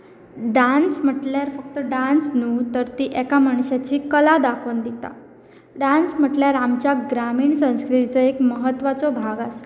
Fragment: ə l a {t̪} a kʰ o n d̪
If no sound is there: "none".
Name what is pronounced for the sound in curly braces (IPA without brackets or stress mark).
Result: d̪